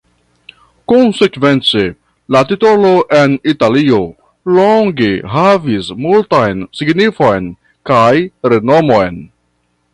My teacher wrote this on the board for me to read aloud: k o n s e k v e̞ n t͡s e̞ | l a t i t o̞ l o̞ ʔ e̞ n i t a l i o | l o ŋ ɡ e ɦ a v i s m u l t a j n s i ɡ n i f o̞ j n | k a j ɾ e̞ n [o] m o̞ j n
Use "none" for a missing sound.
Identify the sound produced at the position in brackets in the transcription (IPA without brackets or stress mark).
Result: o